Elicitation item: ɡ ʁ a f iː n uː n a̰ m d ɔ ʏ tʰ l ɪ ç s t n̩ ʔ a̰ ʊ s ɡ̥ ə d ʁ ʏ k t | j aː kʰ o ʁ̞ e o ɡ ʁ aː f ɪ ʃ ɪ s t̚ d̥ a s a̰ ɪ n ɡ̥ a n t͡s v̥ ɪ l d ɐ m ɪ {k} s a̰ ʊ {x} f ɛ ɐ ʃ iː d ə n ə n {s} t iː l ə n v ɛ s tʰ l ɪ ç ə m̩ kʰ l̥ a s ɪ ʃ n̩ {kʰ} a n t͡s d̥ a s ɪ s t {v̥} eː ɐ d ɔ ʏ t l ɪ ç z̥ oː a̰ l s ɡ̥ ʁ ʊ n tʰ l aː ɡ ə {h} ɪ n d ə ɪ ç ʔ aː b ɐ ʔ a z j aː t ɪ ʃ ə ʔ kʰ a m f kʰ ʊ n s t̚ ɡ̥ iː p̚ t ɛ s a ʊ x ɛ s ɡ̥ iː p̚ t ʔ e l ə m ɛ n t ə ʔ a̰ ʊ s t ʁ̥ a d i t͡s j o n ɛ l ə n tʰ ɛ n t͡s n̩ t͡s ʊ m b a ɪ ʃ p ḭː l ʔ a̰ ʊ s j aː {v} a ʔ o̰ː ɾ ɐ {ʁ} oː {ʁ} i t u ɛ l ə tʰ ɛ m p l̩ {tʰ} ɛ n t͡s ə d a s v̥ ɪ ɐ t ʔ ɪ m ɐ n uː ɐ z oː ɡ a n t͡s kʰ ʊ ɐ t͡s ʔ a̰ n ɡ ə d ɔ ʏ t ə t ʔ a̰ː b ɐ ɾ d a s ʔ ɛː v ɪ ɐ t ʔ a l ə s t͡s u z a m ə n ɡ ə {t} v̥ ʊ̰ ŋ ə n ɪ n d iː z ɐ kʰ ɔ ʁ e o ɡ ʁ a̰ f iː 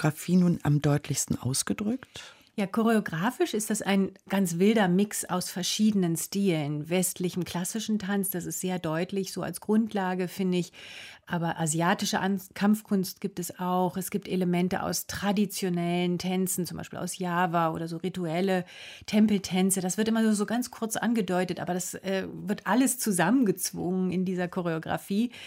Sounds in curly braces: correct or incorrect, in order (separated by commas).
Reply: correct, incorrect, correct, incorrect, incorrect, incorrect, correct, incorrect, correct, correct, incorrect